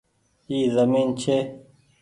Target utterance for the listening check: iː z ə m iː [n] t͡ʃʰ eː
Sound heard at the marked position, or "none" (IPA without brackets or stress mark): n